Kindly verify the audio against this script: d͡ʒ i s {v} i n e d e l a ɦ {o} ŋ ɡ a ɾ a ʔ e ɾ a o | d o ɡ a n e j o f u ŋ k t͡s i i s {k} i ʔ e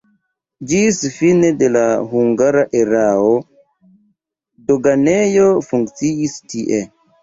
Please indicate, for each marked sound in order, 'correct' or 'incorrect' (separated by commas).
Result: incorrect, incorrect, incorrect